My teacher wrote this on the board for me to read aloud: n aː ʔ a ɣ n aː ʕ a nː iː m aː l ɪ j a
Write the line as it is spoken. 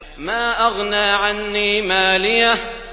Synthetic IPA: m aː ʔ a ɣ n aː ʕ a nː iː m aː l ɪ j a